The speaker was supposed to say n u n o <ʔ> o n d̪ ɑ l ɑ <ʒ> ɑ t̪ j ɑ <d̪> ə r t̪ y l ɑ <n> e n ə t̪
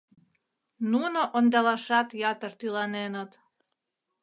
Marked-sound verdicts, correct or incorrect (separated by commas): correct, incorrect, incorrect, correct